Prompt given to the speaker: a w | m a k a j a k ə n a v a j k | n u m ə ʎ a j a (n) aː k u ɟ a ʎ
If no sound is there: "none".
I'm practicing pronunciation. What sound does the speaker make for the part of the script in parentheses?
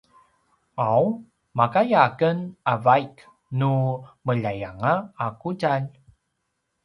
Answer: ŋ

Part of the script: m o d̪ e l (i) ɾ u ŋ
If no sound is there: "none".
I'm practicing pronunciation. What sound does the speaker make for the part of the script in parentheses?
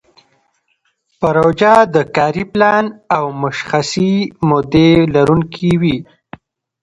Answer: a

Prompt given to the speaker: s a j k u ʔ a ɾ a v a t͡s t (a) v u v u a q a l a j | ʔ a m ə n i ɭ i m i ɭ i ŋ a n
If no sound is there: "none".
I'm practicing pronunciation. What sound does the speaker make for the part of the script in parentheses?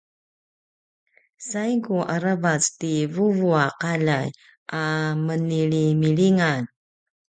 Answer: i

